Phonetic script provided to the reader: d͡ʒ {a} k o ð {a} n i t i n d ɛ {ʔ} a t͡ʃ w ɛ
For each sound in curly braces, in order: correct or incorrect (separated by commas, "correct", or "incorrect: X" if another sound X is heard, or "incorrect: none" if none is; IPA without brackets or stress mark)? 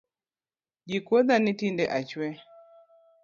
incorrect: i, correct, correct